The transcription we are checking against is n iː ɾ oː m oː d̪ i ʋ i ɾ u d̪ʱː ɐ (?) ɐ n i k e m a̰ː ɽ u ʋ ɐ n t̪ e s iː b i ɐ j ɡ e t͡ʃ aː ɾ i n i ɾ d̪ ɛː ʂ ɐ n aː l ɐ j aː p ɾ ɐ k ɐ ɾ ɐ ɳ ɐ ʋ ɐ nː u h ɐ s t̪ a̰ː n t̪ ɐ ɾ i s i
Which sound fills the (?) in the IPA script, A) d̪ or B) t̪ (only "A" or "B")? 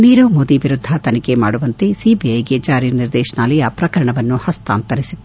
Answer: B